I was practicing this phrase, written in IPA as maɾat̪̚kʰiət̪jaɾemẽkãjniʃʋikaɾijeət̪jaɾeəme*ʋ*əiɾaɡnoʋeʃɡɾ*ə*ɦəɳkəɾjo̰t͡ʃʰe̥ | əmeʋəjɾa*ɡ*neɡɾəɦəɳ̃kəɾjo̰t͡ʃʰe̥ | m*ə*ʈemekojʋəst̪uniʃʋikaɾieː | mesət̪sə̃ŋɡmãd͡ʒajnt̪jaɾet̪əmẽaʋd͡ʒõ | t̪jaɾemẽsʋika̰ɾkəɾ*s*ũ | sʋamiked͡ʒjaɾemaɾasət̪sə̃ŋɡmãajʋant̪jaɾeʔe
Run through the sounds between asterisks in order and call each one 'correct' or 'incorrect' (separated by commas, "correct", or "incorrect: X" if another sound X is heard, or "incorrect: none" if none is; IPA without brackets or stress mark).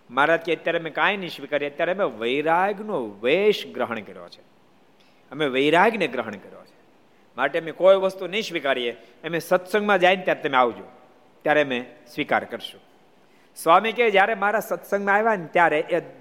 correct, correct, correct, incorrect: a, incorrect: ʃ